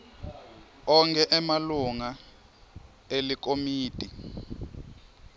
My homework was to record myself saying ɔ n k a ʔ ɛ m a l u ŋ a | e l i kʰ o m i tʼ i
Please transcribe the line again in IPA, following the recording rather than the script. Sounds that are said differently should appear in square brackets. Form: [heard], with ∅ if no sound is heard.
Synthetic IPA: ɔ [ŋ] k [ɛ] ʔ ɛ m a l u ŋ a | e l i [k] o m [iː] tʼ i